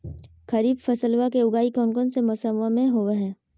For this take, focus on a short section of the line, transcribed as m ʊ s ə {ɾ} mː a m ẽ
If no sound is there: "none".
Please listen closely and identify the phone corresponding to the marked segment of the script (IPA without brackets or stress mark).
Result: none